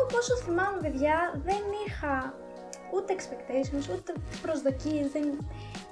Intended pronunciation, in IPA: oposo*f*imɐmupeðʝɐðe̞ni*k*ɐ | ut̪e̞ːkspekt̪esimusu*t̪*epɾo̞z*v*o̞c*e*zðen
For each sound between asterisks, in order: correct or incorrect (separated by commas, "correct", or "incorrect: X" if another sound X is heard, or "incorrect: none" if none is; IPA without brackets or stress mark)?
incorrect: θ, incorrect: x, correct, incorrect: ð, incorrect: i